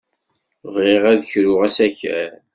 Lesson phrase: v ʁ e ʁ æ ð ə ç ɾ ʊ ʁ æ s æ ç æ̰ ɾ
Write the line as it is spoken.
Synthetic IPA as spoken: v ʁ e ʁ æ ð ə ç ɾ ʊ ʁ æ s æ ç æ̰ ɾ